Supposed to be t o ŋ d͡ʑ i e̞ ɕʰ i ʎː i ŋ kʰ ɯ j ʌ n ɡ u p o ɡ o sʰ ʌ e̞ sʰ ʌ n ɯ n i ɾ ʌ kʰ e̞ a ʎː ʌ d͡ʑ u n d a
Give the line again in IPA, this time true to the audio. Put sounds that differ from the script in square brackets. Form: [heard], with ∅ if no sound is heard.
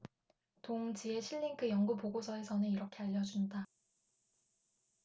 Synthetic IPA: t o ŋ d͡ʑ i e̞ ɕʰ i ʎː i ŋ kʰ ɯ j ʌ [ŋ] ɡ u p o ɡ o sʰ ʌ e̞ sʰ ʌ n ɯ n i ɾ ʌ kʰ e̞ a ʎː ʌ d͡ʑ u n d a

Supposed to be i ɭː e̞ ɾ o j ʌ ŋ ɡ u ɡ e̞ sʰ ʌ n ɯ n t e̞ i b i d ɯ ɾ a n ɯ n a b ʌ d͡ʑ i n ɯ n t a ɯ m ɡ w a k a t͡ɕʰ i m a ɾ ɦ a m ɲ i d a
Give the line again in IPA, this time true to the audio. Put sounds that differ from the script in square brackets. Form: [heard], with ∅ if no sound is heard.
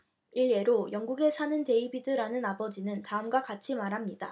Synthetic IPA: i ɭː e̞ ɾ o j ʌ ŋ ɡ u ɡ e̞ sʰ [a] n ɯ n t e̞ i b i d ɯ ɾ a n ɯ n a b ʌ d͡ʑ i n ɯ n t a ɯ m ɡ w a k a t͡ɕʰ i m a ɾ ɦ a m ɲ i d a

